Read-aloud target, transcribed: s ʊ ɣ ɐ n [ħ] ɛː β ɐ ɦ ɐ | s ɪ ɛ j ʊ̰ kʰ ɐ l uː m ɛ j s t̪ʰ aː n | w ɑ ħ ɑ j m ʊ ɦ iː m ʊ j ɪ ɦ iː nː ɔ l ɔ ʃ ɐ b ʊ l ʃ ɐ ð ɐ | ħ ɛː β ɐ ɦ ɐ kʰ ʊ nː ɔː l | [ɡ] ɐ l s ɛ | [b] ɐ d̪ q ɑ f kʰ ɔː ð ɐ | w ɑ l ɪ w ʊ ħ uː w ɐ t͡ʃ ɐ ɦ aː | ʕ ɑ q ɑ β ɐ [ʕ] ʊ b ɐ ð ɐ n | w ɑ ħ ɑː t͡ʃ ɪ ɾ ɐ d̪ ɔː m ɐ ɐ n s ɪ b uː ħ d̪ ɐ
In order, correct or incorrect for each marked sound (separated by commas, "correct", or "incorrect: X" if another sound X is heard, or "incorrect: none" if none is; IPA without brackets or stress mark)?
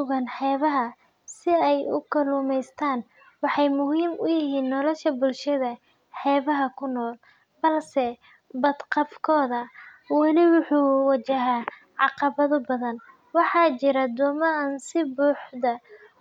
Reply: correct, incorrect: b, correct, incorrect: ð